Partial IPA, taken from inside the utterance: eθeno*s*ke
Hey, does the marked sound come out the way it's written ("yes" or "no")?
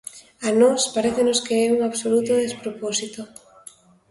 yes